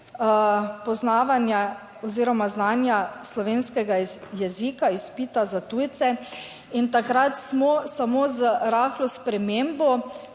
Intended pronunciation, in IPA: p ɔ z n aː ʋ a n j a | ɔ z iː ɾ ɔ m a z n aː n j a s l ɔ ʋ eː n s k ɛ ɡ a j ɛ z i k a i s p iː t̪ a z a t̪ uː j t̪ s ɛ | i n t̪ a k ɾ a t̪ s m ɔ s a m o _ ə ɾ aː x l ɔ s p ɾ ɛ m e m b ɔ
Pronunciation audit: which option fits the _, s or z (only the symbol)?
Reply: z